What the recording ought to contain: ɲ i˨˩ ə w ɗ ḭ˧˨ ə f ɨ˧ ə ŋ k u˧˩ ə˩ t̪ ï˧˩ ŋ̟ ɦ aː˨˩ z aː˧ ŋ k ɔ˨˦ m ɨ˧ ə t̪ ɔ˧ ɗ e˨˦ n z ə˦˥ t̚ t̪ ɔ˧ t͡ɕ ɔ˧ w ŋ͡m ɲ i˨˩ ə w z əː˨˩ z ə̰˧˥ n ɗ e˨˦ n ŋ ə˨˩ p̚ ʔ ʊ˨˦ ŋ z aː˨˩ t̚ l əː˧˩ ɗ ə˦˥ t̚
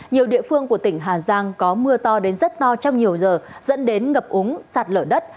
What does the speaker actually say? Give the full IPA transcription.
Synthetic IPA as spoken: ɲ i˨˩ ə w ɗ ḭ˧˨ ə f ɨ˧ ə ŋ k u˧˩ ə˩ t̪ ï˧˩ ŋ̟ ɦ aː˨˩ z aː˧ ŋ k ɔ˨˦ m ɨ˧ ə t̪ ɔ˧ ɗ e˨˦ n z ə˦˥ t̚ t̪ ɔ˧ t͡ɕ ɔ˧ w ŋ͡m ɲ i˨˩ ə w z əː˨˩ z ə̰˧˥ n ɗ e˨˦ n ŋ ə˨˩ p̚ ʔ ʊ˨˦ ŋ s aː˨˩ t̚ l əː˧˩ ɗ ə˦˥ t̚